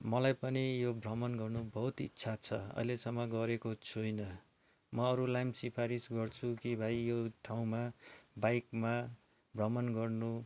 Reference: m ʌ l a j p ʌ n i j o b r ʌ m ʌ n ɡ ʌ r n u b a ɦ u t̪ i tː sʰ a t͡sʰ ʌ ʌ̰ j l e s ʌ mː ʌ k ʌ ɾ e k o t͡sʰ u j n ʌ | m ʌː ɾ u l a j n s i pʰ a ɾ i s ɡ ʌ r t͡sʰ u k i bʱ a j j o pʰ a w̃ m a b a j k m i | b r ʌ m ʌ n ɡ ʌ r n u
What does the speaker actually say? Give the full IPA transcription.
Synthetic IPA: m ʌ l a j p ʌ n i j o b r ʌ m ʌ n ɡ ʌ r n u b ʌ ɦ u t̪ i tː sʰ a t͡sʰ ʌ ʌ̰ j l e s ʌ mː ʌ ɡ ʌ ɾ e k o t͡sʰ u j n ʌ | m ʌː ɾ u l a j m s i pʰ a ɾ i s ɡ ʌ r t͡sʰ u k i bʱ a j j o ʈʰ a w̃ m a b a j k m a | b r ʌ m ʌ n ɡ ʌ r n u

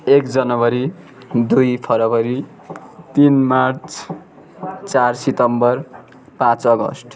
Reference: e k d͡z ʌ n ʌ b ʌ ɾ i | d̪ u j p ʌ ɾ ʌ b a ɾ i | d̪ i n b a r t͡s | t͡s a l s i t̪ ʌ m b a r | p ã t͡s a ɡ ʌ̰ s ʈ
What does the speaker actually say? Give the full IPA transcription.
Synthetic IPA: e k d͡z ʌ n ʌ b ʌ ɾ i | d̪ u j pʰ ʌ ɾ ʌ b ʌ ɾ i | t̪ i n m a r t͡s | t͡s a r s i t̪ ʌ m b ʌ r | p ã t͡s ʌ ɡ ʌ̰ s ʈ

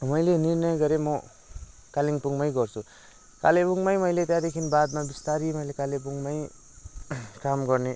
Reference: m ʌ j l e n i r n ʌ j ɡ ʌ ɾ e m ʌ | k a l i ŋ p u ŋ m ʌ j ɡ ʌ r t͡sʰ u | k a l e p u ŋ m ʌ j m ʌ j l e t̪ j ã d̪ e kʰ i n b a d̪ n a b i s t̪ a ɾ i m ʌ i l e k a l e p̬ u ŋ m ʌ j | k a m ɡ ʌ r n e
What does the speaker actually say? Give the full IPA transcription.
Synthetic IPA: m ʌ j l e n i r n ʌ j ɡ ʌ ɾ e m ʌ | k a l i ŋ p u ŋ m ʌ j ɡ ʌ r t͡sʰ u | k a l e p u ŋ m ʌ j m ʌ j l e t̪ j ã d̪ e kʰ i n b a d̪ m a b i s t̪ a ɾ i m ʌ j l e k a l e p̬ u ŋ m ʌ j | k a m ɡ ʌ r n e

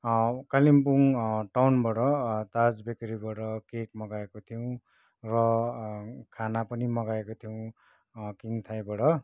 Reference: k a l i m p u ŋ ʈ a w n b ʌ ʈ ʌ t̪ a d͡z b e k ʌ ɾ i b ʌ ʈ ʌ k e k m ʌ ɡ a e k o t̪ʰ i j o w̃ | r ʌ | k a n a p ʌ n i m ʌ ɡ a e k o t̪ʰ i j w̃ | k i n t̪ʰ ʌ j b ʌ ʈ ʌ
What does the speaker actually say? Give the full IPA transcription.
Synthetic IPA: k a l i m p u ŋ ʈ a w n b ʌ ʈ ʌ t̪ a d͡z b e k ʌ ɾ i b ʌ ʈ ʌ k e k m ʌ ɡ a e k o t̪ʰ i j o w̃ | r ʌ | kʰ a n a p ʌ n i m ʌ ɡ a e k o t̪ʰ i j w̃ | k i n t̪ʰ a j b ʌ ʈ ʌ

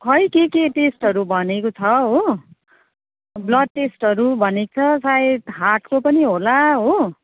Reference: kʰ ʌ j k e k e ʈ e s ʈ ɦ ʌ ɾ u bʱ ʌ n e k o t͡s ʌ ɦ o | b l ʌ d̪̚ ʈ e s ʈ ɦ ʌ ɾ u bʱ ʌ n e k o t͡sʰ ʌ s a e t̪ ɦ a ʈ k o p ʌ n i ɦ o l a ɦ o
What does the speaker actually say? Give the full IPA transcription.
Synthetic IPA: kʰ ʌ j k e k e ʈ e s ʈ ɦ ʌ ɾ u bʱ ʌ n e k o t͡sʰ ʌ ɦ o | b l ʌ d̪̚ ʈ e s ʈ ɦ ʌ ɾ u bʱ ʌ n e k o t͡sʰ ʌ s a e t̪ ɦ a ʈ k o p ʌ n i ɦ o l a ɦ o

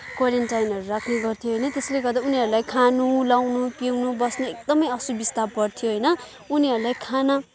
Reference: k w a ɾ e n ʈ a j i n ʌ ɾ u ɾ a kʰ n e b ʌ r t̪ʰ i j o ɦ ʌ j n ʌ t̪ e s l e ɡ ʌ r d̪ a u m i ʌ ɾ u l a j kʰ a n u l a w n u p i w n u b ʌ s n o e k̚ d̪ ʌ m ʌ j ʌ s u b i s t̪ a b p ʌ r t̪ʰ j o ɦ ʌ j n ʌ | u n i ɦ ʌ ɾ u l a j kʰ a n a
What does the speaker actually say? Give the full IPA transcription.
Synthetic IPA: k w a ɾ e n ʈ a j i n ʌ ɾ u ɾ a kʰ n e ɡ ʌ r t̪ʰ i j o ɦ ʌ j n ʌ t̪ e s l e ɡ ʌ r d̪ a u n i ʌ ɾ u l a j kʰ a n u l a w n u p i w n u b ʌ s n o e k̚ d̪ ʌ m ʌ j ʌ s u b i s t̪ a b p ʌ r t̪ʰ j o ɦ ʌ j n ʌ | u n i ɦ ʌ ɾ u l a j kʰ a n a

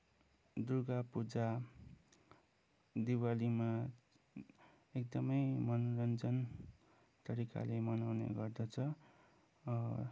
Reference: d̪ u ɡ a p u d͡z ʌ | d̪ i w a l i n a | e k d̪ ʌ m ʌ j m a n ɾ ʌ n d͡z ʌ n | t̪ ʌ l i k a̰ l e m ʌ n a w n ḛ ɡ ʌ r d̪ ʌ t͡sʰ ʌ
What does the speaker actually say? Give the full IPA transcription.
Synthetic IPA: d̪ u ɡ a p u d͡z a | d̪ i w a l i m a | e k d̪ ʌ m ʌ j m ʌ n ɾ ʌ n d͡z ʌ n | t̪ ʌ ɾ i k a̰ l e m ʌ n a w n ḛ ɡ ʌ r d̪ ʌ t͡sʰ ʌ

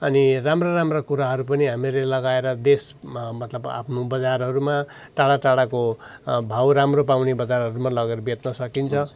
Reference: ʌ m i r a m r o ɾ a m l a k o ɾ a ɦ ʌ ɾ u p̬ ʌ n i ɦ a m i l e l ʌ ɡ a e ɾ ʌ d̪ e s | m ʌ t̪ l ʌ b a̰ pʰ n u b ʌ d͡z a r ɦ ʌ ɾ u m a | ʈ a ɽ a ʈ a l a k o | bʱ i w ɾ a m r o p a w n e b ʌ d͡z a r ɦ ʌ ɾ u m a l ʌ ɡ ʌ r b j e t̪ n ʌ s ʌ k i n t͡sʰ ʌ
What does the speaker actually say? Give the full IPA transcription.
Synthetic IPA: ʌ n i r a m r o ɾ a m r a k u ɾ a ɦ ʌ ɾ u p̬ ʌ n i ɦ a m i l e l ʌ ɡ a e ɾ ʌ d̪ e s | m ʌ t̪ l ʌ b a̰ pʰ n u b ʌ d͡z a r ɦ ʌ ɾ u m a | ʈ a ɽ a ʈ a ɽ a k o | bʱ a w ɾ a m r o p a w n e b ʌ d͡z a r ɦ ʌ ɾ u m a l ʌ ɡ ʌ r b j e t̪ n ʌ s ʌ k i n t͡sʰ ʌ

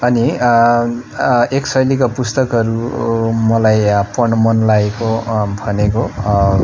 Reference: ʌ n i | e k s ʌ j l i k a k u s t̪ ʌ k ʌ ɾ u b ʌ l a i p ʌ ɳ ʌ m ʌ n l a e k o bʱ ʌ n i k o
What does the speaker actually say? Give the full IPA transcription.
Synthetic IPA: ʌ n i | e k s ʌ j l i k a p u s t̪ ʌ k ʌ ɾ u m ʌ l a j p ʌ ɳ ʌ m ʌ n l a e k o bʱ ʌ n e k o

